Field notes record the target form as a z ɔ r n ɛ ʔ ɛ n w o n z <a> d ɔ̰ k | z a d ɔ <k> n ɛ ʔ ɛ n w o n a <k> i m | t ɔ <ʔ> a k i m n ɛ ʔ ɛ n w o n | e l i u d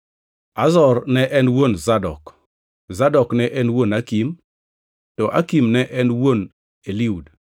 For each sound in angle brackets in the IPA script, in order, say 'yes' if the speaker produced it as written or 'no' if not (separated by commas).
yes, yes, yes, yes